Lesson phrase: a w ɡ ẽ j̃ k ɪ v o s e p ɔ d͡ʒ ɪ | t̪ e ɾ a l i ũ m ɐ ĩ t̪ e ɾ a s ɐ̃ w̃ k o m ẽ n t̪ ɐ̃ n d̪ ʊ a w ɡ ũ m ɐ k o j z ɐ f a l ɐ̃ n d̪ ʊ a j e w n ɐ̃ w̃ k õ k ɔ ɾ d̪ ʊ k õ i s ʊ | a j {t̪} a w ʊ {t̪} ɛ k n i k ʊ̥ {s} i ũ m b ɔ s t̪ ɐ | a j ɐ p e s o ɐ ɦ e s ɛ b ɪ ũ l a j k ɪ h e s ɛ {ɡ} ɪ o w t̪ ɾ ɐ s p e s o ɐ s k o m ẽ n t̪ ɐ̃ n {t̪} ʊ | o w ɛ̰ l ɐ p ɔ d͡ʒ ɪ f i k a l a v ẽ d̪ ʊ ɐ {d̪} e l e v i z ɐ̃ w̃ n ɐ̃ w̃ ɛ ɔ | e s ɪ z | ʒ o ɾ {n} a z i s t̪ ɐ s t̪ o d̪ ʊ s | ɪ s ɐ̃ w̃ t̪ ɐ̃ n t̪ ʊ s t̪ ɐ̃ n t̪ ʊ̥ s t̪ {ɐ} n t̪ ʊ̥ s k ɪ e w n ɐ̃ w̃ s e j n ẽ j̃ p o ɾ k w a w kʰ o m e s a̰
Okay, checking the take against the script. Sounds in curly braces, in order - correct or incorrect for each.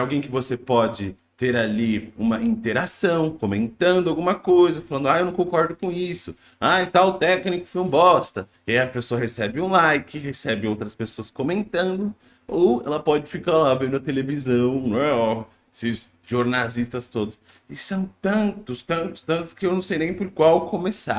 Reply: correct, correct, incorrect: f, incorrect: b, incorrect: d̪, incorrect: t̪, correct, incorrect: ɐ̃

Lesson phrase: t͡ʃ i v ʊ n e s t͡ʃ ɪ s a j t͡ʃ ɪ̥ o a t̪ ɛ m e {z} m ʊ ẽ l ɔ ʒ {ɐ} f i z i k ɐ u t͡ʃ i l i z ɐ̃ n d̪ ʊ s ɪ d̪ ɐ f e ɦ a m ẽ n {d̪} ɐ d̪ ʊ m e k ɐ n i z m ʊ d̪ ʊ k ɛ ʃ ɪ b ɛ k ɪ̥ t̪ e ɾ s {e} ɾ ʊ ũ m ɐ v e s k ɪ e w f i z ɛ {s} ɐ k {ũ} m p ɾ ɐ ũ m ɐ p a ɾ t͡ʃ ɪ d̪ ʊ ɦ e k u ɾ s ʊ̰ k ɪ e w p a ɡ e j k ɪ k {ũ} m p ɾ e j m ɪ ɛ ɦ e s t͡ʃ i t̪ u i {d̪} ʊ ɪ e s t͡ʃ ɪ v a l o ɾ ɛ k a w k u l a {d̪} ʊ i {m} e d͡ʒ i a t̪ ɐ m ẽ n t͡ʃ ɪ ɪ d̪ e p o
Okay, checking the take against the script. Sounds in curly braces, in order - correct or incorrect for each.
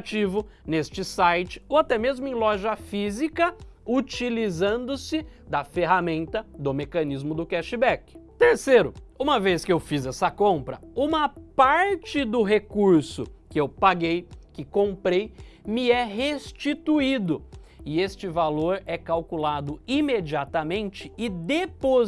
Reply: correct, correct, incorrect: t̪, correct, correct, incorrect: õ, incorrect: õ, correct, correct, correct

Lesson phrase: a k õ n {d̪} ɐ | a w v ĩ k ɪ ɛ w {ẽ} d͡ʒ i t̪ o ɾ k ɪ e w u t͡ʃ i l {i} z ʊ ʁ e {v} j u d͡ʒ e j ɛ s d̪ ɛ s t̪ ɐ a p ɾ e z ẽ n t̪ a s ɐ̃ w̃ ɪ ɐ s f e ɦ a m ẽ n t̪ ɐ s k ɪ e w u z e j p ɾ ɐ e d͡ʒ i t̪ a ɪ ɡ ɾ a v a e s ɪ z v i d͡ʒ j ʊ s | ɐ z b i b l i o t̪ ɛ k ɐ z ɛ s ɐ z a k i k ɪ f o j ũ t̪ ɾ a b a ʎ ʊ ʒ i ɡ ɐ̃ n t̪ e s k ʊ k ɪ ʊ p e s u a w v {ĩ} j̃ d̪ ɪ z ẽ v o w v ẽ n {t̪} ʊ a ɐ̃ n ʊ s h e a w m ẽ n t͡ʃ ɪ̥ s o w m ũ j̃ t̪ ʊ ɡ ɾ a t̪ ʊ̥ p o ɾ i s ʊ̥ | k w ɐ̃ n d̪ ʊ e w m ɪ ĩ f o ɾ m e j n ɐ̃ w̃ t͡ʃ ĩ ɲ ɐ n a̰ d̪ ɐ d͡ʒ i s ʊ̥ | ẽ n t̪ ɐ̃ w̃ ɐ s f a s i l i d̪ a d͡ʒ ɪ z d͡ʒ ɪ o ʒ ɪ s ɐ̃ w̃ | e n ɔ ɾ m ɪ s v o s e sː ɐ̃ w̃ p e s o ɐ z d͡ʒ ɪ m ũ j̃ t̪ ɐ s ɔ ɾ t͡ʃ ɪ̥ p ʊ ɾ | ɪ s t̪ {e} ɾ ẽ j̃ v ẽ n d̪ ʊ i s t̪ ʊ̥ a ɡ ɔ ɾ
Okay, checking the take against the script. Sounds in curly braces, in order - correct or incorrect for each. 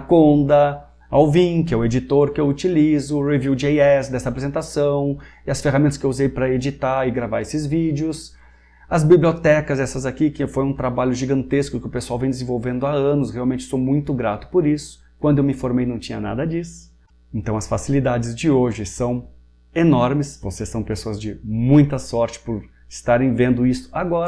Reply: correct, incorrect: e, correct, correct, incorrect: ẽ, incorrect: d̪, incorrect: a

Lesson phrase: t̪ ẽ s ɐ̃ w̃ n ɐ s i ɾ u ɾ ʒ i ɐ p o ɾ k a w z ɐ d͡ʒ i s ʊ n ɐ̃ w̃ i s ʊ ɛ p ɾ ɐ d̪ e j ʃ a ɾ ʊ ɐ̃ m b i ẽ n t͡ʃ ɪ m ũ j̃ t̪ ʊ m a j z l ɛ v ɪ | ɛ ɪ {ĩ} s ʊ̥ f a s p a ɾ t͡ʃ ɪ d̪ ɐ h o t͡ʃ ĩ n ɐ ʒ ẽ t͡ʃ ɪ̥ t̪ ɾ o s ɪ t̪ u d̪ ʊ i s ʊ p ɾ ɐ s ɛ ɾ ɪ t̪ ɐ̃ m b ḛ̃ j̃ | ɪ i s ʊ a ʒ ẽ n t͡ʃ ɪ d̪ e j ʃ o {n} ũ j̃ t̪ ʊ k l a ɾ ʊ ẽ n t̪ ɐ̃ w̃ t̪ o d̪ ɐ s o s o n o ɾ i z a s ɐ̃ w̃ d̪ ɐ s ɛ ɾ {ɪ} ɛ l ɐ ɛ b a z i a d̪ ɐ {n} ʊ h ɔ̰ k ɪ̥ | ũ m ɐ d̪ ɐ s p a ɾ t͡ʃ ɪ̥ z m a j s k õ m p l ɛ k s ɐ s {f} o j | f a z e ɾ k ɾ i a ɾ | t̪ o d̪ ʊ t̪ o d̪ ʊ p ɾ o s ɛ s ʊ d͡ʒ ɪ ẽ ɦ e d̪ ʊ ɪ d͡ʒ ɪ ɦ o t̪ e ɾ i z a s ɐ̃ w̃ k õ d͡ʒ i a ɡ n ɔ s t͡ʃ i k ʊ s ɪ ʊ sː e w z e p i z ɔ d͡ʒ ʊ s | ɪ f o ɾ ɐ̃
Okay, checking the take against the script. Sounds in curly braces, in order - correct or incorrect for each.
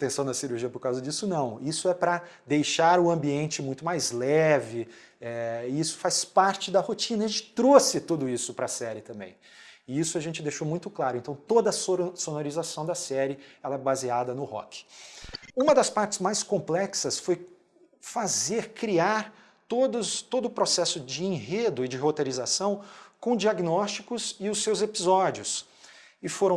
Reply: incorrect: i, incorrect: m, correct, correct, correct

